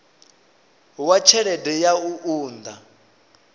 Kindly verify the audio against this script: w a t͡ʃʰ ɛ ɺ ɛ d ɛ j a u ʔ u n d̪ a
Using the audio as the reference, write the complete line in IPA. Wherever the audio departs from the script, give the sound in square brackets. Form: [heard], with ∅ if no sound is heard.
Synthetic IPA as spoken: w a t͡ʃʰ ɛ ɺ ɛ d ɛ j a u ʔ [uː] n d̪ a